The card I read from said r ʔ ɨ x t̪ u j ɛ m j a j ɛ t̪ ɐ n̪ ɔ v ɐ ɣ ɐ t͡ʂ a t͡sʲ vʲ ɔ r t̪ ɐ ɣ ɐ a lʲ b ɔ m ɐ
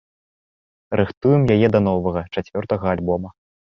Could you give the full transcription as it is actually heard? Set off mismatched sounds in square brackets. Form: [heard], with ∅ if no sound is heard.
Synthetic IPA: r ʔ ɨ x t̪ u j ɛ m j a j ɛ [d̪] ɐ n̪ ɔ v ɐ ɣ ɐ t͡ʂ a t͡sʲ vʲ ɔ r t̪ ɐ ɣ ɐ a lʲ b ɔ m ɐ